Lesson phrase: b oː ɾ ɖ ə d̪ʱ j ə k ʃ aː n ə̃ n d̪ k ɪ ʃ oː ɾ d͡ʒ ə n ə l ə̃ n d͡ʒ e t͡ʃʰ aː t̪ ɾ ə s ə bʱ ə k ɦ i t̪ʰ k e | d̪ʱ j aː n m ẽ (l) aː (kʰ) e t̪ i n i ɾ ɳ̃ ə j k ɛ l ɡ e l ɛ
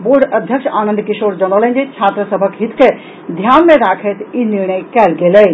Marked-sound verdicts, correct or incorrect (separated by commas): incorrect, correct